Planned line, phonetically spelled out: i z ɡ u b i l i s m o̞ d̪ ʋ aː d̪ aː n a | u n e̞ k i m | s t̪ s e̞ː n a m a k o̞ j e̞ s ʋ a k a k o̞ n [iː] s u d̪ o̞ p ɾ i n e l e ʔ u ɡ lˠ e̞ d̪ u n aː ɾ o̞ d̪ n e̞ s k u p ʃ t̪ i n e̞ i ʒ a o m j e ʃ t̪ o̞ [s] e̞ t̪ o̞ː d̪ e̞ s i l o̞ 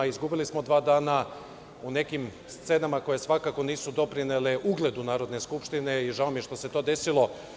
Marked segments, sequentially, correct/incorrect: correct, correct

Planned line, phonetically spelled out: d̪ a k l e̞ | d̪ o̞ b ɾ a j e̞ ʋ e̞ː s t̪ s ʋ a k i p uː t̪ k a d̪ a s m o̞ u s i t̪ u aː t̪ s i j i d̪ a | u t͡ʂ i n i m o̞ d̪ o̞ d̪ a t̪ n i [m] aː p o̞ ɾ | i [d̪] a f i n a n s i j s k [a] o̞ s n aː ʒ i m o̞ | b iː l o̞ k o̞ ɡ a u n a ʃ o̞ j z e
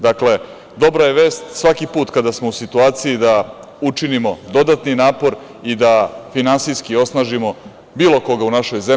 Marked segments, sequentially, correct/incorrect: incorrect: n, correct, incorrect: i

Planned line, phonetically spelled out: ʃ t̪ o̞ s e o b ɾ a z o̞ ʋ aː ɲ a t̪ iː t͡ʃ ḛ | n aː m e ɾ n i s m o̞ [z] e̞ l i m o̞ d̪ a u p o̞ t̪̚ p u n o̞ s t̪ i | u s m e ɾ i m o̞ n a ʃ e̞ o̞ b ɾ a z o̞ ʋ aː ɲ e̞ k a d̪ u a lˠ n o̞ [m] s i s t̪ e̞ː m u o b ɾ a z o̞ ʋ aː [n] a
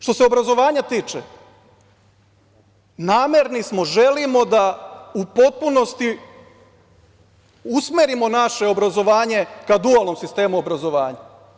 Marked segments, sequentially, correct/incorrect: incorrect: ʒ, correct, incorrect: ɲ

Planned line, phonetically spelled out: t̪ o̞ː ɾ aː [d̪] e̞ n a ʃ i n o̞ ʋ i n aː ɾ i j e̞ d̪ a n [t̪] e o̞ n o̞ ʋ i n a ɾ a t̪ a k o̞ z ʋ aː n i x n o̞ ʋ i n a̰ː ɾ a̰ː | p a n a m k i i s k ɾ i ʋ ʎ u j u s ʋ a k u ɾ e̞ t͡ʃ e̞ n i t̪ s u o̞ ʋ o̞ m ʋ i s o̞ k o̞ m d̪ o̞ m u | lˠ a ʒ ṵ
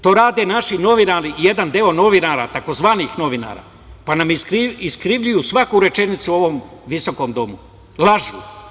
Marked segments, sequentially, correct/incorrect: correct, incorrect: d̪

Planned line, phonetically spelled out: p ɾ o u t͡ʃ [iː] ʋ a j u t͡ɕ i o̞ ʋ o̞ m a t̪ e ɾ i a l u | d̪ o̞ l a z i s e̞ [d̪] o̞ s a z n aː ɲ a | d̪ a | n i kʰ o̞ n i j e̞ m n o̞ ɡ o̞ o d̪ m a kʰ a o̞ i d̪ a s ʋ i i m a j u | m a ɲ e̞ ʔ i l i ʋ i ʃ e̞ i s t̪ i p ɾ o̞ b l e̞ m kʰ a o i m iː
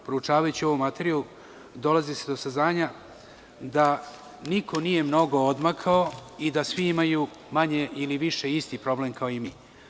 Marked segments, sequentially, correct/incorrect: incorrect: aː, correct

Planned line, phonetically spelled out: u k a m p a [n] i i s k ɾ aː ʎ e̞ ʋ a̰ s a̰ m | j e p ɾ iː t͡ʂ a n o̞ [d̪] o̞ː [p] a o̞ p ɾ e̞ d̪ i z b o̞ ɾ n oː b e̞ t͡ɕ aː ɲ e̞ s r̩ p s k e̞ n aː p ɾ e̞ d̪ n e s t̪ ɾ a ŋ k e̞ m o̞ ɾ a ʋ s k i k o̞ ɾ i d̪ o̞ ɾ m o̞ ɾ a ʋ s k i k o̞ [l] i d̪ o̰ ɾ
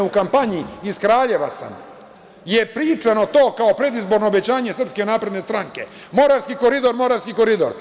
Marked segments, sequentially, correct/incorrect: incorrect: ɲ, incorrect: t̪, incorrect: k, incorrect: ɾ

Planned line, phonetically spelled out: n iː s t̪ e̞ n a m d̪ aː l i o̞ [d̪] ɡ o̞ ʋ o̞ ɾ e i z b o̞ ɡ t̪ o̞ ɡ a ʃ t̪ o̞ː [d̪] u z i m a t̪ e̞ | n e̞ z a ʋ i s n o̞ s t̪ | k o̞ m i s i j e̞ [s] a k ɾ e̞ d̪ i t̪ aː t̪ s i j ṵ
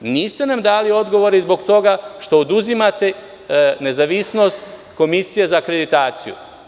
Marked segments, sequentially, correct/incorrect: correct, correct, incorrect: z

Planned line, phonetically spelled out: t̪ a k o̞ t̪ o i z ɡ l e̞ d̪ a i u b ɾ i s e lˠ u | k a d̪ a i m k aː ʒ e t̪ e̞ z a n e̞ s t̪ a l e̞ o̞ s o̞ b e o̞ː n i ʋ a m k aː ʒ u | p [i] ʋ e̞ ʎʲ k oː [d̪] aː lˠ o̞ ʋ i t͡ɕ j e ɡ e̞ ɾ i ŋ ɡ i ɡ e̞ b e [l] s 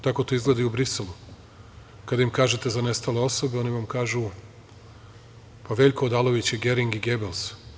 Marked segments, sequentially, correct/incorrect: incorrect: a, correct, correct

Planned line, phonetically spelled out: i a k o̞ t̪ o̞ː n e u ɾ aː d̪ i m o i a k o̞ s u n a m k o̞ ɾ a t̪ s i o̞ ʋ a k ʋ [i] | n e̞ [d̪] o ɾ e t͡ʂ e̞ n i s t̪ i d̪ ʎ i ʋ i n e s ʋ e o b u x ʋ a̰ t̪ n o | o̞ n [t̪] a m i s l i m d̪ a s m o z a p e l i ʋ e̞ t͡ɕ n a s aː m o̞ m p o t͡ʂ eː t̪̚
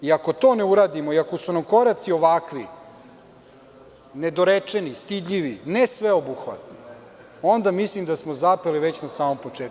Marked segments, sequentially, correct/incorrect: correct, correct, incorrect: d̪

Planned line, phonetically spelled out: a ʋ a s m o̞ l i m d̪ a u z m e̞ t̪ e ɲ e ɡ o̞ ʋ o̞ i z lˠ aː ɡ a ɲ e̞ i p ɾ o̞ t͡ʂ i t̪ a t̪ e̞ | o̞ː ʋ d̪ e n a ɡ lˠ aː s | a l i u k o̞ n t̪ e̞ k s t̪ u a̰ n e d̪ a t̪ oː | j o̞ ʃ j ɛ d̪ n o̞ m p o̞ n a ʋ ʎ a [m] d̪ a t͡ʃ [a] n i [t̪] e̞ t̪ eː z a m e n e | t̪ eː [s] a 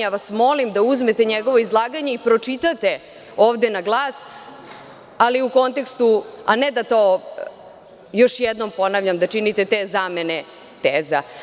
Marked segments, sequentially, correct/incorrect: correct, incorrect: i, correct, incorrect: z

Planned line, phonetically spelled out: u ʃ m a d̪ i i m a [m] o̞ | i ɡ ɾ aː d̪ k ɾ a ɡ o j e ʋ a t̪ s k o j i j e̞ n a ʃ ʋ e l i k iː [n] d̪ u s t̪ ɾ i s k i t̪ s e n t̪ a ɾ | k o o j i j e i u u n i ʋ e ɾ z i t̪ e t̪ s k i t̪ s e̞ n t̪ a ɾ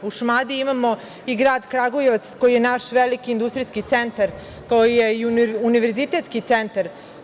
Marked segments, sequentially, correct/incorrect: correct, correct

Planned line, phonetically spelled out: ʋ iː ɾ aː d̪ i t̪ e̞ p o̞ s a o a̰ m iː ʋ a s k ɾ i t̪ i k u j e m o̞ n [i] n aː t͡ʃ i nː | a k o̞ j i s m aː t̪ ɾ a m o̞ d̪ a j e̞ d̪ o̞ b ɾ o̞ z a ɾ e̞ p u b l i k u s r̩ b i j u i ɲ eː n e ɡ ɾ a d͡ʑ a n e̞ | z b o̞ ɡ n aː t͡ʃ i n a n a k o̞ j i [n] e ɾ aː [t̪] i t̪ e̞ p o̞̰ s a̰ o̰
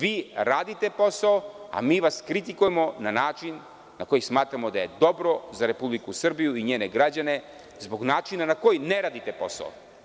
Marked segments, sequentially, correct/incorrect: incorrect: a, correct, incorrect: d̪

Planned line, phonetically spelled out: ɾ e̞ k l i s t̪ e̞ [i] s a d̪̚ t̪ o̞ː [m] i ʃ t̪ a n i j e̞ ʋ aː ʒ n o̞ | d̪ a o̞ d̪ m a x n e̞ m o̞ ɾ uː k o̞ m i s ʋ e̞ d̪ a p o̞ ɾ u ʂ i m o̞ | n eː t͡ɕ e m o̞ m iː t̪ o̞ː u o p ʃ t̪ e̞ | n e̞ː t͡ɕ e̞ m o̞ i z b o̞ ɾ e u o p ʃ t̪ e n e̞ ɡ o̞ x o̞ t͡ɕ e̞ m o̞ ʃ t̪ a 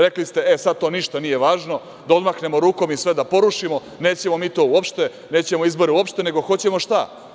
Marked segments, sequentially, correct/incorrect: incorrect: e, incorrect: n

